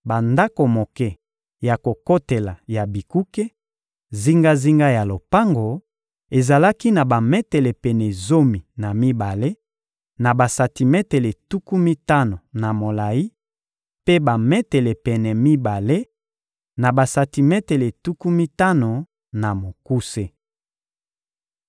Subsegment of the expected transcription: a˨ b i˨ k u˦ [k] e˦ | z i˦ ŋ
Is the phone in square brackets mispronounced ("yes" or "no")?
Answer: no